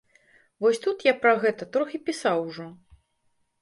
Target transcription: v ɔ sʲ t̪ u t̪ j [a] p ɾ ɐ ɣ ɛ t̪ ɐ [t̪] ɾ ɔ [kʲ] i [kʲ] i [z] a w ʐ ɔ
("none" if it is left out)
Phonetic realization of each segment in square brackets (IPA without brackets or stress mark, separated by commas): a, t̪, xʲ, pʲ, s